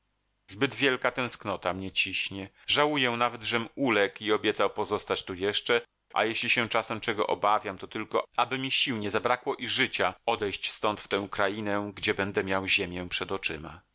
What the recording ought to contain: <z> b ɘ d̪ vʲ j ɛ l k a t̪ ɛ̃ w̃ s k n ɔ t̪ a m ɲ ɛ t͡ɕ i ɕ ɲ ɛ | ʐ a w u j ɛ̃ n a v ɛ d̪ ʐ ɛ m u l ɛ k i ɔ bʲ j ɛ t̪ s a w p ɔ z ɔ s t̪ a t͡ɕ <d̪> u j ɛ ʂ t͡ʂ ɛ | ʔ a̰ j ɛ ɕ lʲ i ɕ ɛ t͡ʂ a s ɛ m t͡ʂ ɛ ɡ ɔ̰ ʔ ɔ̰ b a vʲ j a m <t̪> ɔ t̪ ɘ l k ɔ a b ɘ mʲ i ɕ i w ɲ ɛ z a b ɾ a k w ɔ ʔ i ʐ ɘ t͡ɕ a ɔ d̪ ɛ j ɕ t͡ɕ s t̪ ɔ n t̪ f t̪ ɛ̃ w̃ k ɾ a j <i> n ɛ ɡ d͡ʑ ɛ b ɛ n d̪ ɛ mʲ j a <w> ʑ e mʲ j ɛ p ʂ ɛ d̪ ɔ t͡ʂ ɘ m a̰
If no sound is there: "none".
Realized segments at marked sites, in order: z, t̪, t̪, i, w

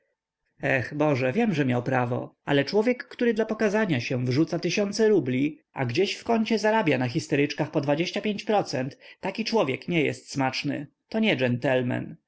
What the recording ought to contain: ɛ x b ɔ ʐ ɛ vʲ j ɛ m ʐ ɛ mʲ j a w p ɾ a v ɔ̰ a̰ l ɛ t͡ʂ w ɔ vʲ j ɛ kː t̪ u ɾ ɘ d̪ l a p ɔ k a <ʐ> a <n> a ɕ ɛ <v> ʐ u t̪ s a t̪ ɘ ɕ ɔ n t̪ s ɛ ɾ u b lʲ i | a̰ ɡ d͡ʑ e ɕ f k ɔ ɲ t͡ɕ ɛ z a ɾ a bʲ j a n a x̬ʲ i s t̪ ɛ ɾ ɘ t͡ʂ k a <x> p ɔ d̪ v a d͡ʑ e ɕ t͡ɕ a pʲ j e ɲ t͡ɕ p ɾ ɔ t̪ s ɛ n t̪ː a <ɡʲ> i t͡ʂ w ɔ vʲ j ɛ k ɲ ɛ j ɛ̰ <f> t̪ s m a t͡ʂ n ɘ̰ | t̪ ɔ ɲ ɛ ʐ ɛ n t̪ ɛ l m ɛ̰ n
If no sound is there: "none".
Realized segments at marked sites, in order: z, ɲ, v, x, kʲ, s

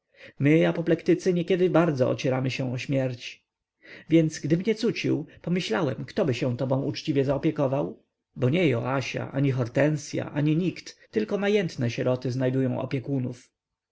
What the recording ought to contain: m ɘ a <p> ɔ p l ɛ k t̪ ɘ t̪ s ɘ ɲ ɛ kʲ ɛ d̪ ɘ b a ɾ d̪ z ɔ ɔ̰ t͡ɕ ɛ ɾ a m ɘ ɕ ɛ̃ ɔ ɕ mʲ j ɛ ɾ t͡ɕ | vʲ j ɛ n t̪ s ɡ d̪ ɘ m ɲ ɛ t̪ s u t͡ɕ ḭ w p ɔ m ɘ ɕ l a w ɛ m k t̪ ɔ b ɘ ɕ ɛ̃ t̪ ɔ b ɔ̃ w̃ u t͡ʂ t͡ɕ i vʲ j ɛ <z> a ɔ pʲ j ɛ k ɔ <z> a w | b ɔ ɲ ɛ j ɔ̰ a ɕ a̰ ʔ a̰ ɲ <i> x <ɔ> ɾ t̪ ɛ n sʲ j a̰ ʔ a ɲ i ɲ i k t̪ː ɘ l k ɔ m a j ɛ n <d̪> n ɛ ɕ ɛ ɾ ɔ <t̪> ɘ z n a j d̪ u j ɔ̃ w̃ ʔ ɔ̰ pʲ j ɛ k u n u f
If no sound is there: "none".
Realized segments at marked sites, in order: p, z, v, i, ɔ, t̪, t̪

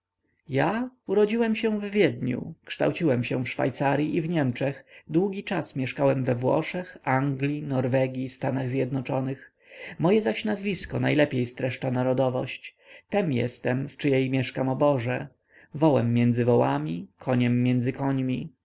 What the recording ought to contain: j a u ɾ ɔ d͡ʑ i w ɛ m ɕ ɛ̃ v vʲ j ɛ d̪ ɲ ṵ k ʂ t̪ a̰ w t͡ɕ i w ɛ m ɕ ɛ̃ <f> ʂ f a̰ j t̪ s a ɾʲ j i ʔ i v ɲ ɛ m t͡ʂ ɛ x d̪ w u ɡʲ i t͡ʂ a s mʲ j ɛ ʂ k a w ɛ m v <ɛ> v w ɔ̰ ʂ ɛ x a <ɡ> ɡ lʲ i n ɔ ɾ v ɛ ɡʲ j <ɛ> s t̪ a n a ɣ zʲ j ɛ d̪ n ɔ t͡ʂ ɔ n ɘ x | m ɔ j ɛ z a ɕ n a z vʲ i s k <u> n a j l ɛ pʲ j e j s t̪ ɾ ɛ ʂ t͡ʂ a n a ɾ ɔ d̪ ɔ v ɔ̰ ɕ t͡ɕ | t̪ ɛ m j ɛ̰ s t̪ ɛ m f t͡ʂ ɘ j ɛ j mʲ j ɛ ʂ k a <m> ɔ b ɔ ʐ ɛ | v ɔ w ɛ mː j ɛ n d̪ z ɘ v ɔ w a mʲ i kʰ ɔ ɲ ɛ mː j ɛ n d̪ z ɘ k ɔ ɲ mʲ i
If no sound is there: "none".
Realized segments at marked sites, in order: f, ɛ, ŋ, i, ɔ, m

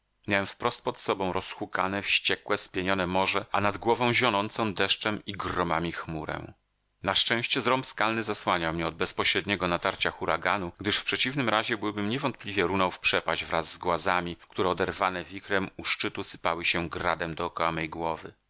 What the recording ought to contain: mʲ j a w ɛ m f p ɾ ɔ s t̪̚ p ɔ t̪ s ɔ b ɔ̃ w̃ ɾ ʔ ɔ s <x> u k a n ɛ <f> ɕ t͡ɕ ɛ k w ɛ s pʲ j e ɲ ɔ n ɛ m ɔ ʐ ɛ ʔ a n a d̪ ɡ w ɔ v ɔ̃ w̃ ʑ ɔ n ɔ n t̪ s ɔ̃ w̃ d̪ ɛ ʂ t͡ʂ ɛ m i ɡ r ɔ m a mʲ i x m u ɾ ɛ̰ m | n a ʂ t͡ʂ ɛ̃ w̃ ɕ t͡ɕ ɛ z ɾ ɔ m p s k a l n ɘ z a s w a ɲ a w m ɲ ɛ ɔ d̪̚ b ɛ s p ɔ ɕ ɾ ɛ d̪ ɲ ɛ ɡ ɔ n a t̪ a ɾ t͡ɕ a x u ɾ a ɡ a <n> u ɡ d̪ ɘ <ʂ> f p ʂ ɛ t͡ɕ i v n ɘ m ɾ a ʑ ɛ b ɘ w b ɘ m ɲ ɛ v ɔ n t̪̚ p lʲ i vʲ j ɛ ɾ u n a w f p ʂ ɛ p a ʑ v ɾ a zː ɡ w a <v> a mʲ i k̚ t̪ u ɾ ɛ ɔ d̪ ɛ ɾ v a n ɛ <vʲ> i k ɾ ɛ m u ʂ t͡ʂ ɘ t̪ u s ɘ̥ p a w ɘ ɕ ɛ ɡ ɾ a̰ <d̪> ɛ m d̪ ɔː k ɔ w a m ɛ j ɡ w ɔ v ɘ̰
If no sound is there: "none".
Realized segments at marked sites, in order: x, f, n, ʂ, z, vʲ, d̪

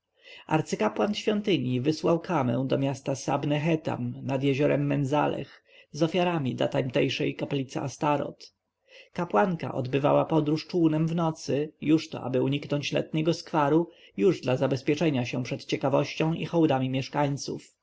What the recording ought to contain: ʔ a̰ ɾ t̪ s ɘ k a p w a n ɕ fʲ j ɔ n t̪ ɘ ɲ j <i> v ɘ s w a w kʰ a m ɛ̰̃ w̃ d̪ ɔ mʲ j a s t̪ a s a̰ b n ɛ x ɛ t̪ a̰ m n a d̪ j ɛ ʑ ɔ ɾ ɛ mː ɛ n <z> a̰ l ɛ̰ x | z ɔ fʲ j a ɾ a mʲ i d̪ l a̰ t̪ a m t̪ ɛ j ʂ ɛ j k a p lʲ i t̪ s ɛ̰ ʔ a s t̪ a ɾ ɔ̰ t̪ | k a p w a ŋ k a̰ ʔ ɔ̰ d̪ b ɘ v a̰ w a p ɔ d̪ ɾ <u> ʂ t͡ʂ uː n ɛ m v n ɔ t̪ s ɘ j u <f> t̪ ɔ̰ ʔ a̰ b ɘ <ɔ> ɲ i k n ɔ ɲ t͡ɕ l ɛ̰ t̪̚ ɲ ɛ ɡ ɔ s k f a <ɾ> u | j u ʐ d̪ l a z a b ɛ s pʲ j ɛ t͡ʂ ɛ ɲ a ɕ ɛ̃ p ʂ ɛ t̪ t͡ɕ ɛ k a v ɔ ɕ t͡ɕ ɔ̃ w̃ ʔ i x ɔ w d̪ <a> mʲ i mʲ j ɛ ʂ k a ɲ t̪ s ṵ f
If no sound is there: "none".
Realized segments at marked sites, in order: i, z, u, ʂ, u, ɾ, a

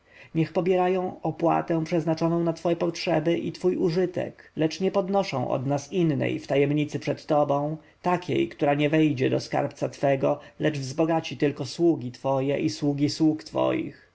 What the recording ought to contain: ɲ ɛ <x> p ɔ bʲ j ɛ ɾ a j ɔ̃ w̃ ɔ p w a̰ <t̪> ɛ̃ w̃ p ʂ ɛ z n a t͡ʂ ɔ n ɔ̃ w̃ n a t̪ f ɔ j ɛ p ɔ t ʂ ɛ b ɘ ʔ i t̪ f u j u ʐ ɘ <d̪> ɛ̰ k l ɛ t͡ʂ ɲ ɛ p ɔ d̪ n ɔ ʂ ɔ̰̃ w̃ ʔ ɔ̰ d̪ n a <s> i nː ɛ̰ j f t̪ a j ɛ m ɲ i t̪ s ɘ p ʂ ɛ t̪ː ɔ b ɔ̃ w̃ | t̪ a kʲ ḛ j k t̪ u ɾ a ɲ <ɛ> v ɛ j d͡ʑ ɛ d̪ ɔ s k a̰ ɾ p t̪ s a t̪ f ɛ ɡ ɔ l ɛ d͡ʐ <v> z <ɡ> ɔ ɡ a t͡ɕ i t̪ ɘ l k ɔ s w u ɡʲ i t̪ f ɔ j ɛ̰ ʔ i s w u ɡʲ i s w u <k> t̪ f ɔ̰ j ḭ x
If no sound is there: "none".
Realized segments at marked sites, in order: x, t̪, t̪, s, ɛ, v, b, k

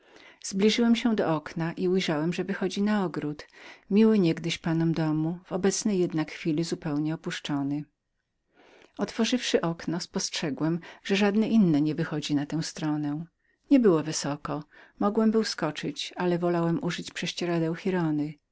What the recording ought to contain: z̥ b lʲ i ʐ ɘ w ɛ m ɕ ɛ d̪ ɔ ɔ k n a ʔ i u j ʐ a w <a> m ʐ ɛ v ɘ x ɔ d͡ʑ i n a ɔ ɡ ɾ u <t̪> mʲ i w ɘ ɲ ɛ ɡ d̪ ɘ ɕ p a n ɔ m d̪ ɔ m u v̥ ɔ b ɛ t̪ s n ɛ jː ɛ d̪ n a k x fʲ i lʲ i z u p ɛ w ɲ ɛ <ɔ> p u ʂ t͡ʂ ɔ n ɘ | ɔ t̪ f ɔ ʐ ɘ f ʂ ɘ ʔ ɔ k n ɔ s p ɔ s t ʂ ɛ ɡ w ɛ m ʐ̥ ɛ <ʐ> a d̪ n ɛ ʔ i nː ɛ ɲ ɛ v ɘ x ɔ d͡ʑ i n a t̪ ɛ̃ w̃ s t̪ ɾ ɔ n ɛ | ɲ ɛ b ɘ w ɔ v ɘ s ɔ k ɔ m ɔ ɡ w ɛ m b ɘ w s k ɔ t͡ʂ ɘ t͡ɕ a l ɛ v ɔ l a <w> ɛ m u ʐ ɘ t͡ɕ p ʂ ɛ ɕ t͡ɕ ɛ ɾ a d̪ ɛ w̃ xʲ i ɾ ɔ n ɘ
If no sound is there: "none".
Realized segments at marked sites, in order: ɛ, t̪, ɔ, ʐ, w

